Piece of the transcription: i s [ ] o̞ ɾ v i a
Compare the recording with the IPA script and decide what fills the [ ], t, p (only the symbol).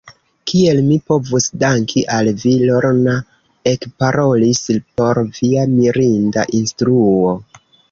p